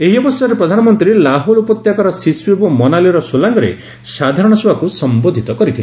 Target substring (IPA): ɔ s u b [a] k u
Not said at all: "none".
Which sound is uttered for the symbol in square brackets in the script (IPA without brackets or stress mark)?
a